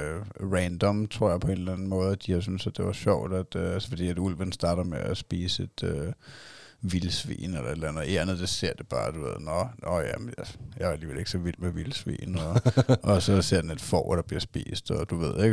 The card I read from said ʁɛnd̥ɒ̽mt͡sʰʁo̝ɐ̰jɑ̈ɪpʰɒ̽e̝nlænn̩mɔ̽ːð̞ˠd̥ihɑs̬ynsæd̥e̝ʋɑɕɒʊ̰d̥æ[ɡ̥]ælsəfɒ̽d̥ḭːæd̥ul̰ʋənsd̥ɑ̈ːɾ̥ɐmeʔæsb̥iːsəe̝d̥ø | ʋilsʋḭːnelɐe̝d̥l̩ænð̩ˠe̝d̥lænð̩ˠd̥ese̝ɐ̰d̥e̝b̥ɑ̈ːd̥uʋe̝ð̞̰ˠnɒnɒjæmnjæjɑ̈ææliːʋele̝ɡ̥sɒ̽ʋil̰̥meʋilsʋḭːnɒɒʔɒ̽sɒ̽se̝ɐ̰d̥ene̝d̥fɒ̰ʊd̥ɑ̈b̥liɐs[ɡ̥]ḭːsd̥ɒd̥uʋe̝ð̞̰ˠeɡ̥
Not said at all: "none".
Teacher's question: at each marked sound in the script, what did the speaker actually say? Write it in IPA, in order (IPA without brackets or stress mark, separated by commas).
d̥, b̥